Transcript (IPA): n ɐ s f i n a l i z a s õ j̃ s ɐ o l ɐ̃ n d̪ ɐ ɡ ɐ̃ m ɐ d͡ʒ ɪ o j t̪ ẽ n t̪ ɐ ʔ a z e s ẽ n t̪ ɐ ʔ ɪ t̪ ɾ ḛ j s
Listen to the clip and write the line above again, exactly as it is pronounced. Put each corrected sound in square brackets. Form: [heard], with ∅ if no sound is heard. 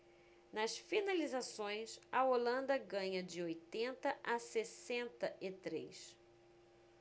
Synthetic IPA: n ɐ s f i n a l i z a s õ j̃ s ɐ o l ɐ̃ n d̪ ɐ ɡ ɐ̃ [ɲ] ɐ d͡ʒ ɪ o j t̪ ẽ n t̪ ɐ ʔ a [s] e s ẽ n t̪ ɐ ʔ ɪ t̪ ɾ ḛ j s